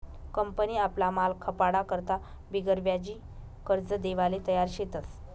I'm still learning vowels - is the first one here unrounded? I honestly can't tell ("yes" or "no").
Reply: yes